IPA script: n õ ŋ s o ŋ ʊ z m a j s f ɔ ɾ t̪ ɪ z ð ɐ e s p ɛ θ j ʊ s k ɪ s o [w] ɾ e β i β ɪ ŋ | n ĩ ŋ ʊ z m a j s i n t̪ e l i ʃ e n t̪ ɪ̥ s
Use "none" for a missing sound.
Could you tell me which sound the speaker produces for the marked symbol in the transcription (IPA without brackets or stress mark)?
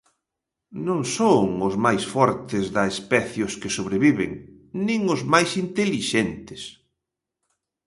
β